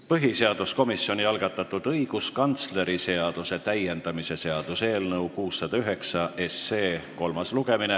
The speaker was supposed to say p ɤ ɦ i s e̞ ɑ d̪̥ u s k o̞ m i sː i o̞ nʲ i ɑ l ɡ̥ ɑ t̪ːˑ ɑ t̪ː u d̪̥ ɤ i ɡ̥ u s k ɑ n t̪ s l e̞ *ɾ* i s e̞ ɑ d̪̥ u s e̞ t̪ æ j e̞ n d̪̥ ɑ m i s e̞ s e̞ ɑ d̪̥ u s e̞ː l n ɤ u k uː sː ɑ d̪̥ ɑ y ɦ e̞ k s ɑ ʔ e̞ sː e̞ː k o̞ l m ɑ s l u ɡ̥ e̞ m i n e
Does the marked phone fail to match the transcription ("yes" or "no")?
no